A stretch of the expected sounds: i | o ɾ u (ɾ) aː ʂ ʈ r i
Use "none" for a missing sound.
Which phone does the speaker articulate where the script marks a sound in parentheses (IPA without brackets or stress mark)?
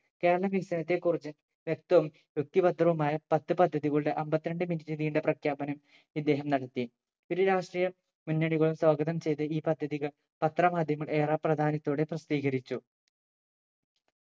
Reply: ɾ